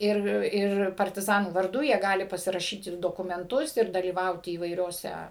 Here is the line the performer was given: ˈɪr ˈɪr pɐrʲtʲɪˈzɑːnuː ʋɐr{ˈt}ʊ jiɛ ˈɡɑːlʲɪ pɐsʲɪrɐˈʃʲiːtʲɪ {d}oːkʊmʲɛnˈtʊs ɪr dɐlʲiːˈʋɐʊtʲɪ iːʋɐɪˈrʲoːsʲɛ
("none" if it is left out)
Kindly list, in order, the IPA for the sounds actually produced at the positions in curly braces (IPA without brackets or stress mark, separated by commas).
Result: d, d